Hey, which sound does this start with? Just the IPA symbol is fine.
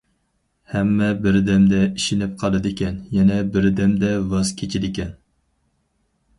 h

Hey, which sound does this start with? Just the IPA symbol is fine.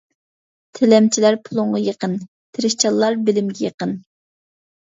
t̪ʰ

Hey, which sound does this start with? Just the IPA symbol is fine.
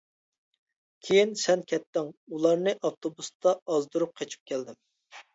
kʲʰ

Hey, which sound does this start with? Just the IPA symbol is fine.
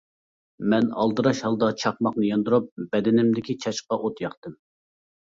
m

